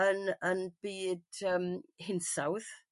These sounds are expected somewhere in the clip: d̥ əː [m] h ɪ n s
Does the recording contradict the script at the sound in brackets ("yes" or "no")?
no